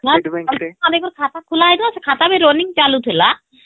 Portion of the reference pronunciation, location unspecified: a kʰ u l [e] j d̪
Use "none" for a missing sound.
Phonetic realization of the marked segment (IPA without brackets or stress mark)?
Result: a